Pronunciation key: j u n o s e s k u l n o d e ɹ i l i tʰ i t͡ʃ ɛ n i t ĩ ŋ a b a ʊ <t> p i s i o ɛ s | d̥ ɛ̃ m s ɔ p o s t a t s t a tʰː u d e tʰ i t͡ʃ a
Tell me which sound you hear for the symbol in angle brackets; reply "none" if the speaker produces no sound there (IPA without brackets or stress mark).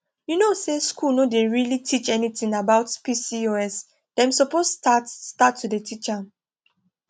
t